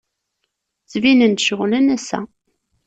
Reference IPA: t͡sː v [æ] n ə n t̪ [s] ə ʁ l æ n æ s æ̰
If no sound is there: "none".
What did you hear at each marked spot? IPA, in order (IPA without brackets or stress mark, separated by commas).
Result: i, ʃ